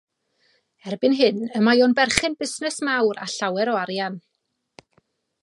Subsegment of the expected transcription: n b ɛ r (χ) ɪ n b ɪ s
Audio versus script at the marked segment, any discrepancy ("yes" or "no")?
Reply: no